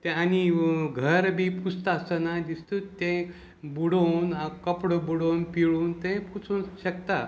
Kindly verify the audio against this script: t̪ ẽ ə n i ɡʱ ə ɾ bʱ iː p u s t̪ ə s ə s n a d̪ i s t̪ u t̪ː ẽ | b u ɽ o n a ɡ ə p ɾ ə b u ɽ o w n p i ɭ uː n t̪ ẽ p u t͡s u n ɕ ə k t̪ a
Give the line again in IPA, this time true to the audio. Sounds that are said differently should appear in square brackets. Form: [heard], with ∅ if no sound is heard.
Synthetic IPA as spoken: t̪ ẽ [a] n i ɡʱ ə ɾ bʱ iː p u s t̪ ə s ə [∅] n a d̪ i s t̪ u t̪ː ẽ | b u ɽ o n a [k] ə p [ɽ] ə b u ɽ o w n p i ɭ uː n t̪ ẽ p u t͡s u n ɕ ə k t̪ a